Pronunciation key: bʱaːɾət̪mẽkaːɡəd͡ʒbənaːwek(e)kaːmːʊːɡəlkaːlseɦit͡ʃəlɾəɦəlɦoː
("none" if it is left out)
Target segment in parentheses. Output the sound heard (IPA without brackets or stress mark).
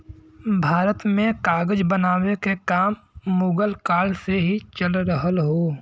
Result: e